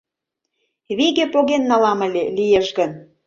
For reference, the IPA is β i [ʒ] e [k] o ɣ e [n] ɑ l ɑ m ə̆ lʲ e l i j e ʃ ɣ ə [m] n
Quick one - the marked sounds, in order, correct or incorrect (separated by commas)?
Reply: incorrect, incorrect, incorrect, incorrect